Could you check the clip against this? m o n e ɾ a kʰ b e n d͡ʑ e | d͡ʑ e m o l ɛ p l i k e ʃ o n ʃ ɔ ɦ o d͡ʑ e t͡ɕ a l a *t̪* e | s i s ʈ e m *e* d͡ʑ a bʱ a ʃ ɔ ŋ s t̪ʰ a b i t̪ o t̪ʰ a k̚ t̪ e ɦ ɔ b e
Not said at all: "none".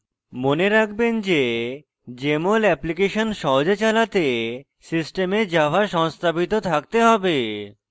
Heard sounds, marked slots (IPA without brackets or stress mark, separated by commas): t̪, e